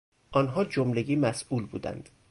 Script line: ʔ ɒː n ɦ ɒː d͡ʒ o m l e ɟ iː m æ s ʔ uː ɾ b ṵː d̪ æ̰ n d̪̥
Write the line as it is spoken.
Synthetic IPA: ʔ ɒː n ɦ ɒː d͡ʒ o m l e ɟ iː m æ s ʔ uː l b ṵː d̪ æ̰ n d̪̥